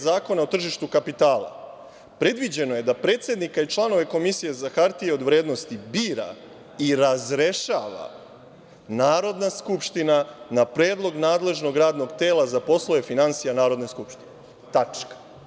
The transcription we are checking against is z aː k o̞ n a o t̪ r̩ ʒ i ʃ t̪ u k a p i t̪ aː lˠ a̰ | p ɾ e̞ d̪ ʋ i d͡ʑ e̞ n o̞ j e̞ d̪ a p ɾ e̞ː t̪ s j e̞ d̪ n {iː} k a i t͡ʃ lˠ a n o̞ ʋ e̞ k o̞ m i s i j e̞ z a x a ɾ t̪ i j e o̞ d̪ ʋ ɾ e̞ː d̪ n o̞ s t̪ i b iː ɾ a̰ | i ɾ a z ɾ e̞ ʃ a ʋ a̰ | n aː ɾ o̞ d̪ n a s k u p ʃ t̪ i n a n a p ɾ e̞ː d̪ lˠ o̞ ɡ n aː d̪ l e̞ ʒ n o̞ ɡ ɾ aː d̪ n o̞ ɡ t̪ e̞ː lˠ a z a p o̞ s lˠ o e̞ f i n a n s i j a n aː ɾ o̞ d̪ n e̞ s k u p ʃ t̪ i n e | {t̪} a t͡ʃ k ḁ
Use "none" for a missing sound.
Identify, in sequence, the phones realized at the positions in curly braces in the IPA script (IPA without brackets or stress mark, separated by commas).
i, t̪